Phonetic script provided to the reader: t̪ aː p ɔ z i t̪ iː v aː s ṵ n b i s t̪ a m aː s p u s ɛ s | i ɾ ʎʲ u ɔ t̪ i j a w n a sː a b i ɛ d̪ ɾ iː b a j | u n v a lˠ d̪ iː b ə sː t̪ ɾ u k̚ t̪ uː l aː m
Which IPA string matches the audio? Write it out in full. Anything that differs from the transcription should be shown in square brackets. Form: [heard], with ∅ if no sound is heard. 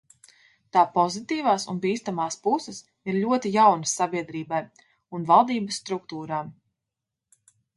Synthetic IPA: t̪ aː p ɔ z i t̪ iː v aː s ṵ n b [iː] s t̪ a m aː s p u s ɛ s | i ɾ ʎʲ u ɔ t̪ i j a w n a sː a b i ɛ d̪ ɾ iː b a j | u n v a lˠ d̪ iː b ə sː t̪ ɾ u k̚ t̪ uː [ɾ] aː m